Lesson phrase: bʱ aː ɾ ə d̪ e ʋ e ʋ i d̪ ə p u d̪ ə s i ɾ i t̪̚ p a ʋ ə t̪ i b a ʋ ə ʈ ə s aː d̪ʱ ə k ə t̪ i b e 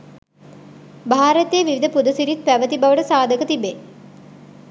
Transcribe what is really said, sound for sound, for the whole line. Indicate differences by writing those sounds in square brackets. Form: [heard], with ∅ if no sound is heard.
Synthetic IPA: bʱ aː ɾ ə [t̪] e ʋ [i] ʋ i d̪ ə p u d̪ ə s i ɾ i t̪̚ p [æ] ʋ ə t̪ i b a ʋ ə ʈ ə s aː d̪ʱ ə k ə t̪ i b e